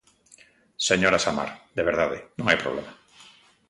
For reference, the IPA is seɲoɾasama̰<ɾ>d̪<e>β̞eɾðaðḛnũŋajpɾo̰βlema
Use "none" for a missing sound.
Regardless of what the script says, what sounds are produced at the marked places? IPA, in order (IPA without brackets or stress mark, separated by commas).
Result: ɾ, e